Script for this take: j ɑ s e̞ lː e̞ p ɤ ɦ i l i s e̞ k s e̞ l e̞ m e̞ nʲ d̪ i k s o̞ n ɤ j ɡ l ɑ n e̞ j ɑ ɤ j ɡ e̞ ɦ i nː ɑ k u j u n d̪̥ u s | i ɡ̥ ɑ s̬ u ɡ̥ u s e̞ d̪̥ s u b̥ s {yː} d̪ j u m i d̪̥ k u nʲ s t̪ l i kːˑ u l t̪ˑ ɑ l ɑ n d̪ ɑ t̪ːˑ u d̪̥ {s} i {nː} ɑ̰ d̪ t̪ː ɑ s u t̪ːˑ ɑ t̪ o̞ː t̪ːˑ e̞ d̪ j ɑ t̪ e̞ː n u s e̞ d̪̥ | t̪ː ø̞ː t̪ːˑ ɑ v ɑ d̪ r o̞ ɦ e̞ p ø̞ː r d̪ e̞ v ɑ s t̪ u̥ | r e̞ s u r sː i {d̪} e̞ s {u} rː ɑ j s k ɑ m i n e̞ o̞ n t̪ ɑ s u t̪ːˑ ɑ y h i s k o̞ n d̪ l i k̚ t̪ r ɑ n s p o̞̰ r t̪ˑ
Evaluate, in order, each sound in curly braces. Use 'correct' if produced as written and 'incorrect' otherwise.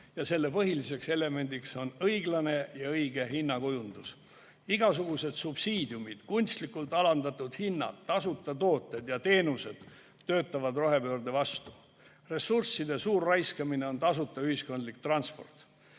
incorrect: iː, incorrect: h, correct, correct, incorrect: uː

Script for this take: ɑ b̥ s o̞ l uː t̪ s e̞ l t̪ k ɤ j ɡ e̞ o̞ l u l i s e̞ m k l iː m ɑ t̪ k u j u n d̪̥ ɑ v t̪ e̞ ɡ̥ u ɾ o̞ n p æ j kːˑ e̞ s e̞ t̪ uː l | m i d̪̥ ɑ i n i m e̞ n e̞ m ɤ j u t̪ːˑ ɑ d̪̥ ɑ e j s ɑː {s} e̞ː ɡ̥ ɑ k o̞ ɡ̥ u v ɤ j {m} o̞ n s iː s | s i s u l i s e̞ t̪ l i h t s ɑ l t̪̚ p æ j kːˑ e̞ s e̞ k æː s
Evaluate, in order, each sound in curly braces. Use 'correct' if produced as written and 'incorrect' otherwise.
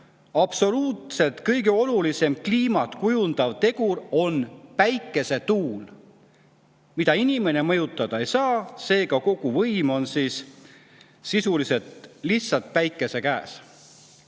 correct, correct

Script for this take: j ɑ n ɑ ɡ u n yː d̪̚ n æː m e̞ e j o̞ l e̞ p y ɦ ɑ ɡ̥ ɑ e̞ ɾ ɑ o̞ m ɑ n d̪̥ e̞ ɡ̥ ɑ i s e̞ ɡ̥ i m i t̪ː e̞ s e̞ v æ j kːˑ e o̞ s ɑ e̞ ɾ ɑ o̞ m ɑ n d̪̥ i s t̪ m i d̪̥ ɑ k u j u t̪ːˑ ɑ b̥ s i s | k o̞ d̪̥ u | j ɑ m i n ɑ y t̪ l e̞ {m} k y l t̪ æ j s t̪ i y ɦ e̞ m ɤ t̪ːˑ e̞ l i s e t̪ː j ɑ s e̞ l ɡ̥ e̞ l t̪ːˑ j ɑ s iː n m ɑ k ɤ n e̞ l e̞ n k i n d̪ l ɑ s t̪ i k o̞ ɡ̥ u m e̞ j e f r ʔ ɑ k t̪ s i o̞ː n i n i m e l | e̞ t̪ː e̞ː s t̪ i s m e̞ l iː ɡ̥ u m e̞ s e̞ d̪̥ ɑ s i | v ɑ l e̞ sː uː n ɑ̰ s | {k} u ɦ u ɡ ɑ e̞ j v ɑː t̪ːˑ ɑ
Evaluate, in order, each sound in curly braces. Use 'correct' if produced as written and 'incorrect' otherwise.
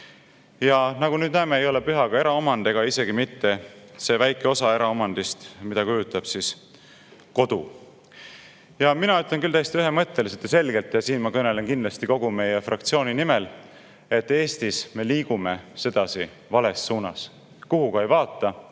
incorrect: n, correct

